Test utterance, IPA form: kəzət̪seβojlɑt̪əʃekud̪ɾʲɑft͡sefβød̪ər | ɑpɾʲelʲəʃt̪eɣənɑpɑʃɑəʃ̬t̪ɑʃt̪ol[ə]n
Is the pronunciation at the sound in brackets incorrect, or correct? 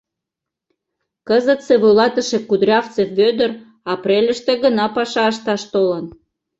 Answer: correct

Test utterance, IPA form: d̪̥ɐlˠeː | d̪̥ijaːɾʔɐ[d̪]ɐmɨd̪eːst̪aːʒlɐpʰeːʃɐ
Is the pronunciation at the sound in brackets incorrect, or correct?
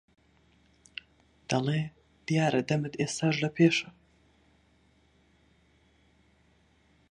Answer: correct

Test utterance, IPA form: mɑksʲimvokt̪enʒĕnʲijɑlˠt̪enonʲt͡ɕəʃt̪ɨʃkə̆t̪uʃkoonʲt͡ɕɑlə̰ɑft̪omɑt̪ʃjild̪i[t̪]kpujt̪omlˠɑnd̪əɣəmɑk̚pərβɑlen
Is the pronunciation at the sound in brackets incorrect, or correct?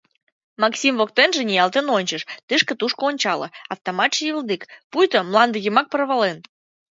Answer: incorrect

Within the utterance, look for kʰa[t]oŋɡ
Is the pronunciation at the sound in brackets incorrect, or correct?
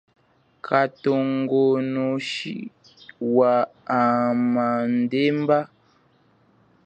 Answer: correct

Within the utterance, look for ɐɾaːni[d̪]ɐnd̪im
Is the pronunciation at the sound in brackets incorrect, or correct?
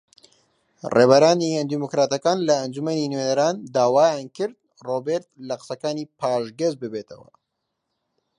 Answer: incorrect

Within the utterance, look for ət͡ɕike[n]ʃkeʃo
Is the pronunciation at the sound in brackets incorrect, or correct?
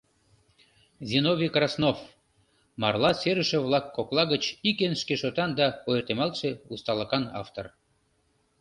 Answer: correct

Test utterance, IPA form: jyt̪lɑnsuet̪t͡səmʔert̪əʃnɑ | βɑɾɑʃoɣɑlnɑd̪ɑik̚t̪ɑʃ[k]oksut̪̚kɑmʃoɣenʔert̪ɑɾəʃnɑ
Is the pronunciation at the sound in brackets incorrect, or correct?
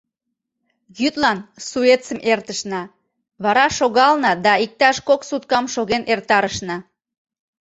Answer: correct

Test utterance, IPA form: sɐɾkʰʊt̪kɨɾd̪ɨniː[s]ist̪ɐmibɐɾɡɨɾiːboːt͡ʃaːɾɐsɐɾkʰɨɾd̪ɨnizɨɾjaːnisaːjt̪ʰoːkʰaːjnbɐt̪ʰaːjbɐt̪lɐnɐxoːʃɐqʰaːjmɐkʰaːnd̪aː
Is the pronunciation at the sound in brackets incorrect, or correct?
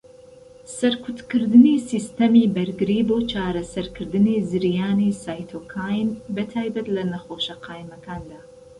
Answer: correct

